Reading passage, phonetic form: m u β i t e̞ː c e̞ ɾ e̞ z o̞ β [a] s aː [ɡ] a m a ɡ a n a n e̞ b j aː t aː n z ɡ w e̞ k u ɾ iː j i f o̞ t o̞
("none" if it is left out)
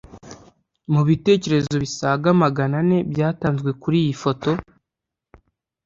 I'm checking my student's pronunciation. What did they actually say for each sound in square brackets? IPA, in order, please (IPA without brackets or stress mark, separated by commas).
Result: i, ɡ